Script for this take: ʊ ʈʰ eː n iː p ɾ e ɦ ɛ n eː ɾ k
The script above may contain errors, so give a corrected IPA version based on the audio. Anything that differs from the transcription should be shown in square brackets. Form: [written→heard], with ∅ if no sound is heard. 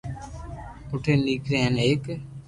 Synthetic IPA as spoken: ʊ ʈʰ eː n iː [p→k] ɾ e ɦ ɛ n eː [ɾ→∅] k